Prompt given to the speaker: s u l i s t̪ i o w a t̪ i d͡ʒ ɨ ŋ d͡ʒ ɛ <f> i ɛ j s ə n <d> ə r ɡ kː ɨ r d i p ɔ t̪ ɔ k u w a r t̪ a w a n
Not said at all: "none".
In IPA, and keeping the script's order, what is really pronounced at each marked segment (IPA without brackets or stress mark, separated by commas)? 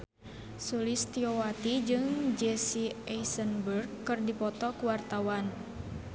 s, b